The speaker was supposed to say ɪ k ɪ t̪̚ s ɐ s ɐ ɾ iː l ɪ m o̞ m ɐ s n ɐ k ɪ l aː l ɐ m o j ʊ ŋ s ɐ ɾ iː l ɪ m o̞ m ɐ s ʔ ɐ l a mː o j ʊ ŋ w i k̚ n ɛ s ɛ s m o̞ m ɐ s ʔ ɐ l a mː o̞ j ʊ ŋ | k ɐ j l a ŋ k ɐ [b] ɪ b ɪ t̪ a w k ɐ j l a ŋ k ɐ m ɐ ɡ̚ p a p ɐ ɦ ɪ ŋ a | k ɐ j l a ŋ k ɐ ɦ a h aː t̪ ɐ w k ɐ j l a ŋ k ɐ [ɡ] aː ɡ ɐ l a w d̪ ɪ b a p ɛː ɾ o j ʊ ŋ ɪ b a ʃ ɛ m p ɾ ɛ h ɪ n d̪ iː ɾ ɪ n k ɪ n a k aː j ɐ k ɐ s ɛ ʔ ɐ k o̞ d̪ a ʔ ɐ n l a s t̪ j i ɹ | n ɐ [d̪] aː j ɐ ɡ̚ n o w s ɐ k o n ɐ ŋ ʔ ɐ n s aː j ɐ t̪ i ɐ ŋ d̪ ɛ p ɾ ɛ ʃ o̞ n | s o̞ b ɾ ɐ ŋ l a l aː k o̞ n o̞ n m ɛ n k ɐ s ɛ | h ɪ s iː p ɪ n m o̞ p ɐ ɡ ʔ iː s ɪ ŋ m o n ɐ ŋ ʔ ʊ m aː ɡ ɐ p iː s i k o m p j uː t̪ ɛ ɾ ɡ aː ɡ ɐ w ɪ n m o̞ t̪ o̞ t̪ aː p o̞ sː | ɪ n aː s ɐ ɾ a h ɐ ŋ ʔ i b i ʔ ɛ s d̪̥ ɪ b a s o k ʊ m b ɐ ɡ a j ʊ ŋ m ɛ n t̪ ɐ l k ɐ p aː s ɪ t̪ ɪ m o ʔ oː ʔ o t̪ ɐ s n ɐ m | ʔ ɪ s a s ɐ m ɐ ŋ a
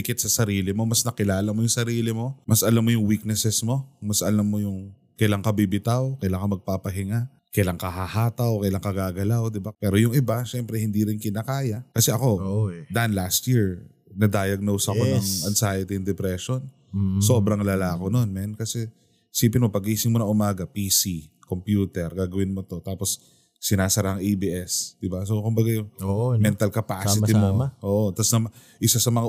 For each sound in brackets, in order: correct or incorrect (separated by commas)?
correct, correct, correct